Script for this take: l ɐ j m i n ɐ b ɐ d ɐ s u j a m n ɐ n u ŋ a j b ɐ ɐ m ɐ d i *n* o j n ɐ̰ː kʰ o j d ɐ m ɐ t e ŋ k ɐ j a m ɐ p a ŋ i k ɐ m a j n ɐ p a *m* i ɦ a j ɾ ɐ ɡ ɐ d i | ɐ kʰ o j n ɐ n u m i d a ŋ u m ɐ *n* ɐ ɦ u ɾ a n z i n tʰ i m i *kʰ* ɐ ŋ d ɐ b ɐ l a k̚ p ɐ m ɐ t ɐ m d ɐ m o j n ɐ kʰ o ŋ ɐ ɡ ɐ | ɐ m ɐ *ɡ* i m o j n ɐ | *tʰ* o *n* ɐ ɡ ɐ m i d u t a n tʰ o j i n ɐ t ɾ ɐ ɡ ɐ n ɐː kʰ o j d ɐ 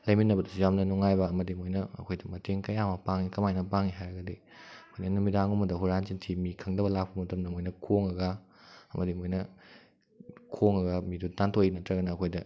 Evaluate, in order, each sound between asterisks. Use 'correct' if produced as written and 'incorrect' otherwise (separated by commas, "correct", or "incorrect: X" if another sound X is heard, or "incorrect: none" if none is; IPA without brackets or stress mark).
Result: incorrect: m, incorrect: ŋ, incorrect: d, correct, incorrect: d, incorrect: kʰ, incorrect: ŋ